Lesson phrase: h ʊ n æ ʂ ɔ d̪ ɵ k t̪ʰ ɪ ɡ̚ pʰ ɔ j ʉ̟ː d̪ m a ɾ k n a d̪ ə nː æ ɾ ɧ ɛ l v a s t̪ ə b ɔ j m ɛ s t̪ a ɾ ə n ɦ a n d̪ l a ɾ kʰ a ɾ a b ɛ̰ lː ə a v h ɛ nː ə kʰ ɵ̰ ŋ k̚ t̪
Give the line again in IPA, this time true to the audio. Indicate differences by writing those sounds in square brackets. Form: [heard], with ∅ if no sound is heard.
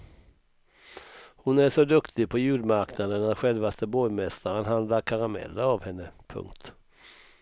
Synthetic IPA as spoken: h ʊ n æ ʂ ɔ d̪ ɵ k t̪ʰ ɪ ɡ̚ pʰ ɔ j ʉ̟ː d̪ m a ɾ k n a d̪ ə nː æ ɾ ɧ ɛ l v a s t̪ ə b ɔ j m ɛ s t̪ a ɾ ə n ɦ a n d̪ l a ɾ kʰ a ɾ a [m] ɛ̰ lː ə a v h ɛ nː ə [pʰ] ɵ̰ ŋ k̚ t̪

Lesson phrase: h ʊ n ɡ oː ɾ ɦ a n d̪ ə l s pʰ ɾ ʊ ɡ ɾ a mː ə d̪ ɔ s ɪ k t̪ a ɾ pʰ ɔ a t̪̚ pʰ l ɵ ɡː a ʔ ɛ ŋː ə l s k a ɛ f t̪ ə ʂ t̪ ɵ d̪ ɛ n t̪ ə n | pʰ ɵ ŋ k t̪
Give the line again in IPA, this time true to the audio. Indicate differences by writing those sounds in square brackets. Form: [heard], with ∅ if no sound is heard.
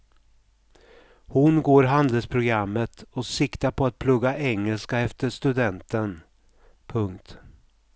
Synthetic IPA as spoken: h ʊ n ɡ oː ɾ ɦ a n d̪ ə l s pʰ ɾ ʊ ɡ ɾ a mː ə [t̪] ɔ s ɪ k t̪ a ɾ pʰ ɔ a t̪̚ pʰ l ɵ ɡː a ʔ ɛ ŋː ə l s k a ɛ f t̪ ə ʂ t̪ ɵ d̪ ɛ n t̪ ə n | pʰ ɵ ŋ k t̪

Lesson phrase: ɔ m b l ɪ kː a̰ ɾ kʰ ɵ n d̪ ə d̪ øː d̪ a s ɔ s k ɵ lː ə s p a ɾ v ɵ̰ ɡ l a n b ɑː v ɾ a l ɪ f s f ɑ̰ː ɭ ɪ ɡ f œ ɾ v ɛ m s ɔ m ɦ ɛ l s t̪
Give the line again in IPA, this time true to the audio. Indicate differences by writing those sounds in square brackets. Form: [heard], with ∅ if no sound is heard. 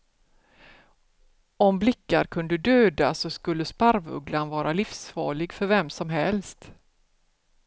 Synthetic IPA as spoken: ɔ m b l ɪ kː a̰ ɾ kʰ ɵ n d̪ ə d̪ øː d̪ a s ɔ s k ɵ lː ə s p a ɾ v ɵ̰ ɡ l a n [v] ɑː [∅] ɾ a l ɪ f s f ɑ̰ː ɭ ɪ ɡ f œ ɾ v ɛ m s ɔ m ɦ ɛ l s t̪

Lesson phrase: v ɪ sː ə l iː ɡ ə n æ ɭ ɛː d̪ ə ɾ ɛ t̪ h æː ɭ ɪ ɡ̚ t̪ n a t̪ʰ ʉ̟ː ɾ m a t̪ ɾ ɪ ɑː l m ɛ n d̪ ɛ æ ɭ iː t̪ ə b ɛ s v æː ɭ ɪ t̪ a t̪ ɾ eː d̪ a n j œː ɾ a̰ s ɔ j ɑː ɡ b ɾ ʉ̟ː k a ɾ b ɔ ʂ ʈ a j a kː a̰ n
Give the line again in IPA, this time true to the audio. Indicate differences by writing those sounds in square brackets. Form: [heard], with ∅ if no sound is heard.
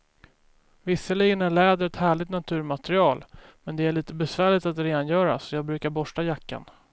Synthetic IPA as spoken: v ɪ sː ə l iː ɡ ə n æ ɭ ɛː d̪ ə ɾ ɛ t̪ h æː ɭ ɪ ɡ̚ t̪ n a t̪ʰ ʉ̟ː ɾ m a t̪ ɾ ɪ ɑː l m ɛ n d̪ ɛ æ ɭ iː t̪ ə b ɛ s v æː ɭ ɪ t̪ a t̪ ɾ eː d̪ a n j œː ɾ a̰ s ɔ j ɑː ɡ b ɾ ʉ̟ː k a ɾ b ɔ ʂ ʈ a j a kː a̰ n

